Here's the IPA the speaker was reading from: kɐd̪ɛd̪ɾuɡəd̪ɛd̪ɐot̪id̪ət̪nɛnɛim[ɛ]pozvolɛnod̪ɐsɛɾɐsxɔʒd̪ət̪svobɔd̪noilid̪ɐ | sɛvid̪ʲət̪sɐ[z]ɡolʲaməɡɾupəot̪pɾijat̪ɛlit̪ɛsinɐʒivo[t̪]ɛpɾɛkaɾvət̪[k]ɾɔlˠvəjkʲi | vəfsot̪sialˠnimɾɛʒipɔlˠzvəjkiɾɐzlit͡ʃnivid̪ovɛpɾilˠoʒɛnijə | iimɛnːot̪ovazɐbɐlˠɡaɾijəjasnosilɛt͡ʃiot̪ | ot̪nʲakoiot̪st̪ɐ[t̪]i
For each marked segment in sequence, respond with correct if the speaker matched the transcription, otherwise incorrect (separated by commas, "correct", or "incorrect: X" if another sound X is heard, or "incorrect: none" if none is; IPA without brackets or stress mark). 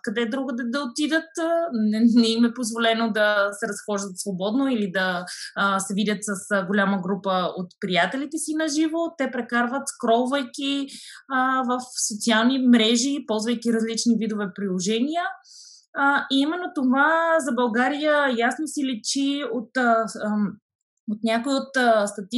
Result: correct, incorrect: s, correct, correct, correct